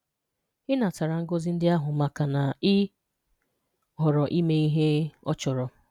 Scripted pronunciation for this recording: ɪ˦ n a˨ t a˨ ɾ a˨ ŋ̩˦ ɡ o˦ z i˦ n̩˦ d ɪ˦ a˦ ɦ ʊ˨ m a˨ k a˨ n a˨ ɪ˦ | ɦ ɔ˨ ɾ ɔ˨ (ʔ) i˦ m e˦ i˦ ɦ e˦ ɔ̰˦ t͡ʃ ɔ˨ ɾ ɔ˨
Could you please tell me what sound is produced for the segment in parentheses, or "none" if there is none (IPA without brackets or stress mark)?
ʔ